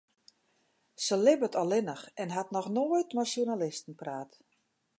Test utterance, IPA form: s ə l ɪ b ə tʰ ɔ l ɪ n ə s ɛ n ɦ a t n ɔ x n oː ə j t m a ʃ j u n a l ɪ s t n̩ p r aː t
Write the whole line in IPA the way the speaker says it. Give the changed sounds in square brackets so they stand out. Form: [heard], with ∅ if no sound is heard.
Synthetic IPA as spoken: s ə l ɪ b ə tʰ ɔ l ɪ n ə [x] ɛ n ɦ a t n ɔ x n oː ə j t m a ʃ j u n a l ɪ s t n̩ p r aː t